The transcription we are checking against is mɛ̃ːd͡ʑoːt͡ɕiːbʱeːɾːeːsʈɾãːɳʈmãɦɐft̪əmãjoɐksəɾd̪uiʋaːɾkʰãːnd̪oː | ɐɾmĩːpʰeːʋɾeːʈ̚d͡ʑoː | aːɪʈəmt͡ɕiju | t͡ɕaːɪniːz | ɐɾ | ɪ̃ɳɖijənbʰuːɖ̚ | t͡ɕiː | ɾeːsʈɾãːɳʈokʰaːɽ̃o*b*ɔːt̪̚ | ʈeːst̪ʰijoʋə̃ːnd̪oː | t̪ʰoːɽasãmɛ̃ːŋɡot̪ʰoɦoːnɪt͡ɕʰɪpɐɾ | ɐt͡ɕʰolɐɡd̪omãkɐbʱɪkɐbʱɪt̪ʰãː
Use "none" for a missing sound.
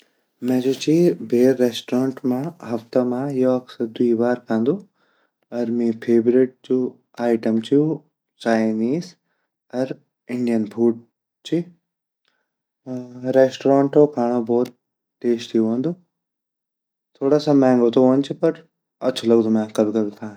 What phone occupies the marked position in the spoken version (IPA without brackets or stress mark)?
b